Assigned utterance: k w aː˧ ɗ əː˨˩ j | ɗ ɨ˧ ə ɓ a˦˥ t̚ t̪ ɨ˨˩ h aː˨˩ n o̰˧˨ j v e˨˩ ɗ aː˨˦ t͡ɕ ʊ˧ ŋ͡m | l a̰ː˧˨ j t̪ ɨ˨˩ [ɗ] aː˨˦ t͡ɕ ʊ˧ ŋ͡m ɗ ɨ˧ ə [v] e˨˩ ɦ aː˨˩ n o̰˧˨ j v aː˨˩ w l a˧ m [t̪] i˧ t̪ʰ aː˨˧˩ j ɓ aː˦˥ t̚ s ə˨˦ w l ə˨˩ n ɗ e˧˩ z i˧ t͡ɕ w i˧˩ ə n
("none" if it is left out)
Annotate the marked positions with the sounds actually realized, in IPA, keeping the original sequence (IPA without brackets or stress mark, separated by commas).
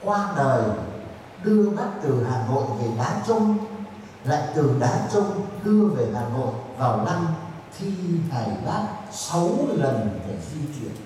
ɗ, v, t̪ʰ